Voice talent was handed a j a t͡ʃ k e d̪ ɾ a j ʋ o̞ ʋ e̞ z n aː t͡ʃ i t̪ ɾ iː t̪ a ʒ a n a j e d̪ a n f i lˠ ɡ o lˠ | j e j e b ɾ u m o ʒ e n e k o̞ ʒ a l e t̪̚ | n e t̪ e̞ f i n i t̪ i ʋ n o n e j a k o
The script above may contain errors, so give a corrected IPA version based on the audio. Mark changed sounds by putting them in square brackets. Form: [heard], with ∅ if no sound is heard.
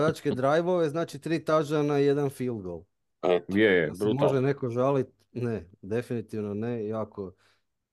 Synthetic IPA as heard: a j a t͡ʃ k e d̪ ɾ a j ʋ o̞ ʋ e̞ z n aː t͡ʃ i t̪ ɾ iː t̪ a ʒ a n a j e d̪ a n f i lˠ ɡ o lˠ | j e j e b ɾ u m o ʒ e n e k o̞ ʒ a l [i] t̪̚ | n e [d̪] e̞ f i n i t̪ i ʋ n o n e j a k o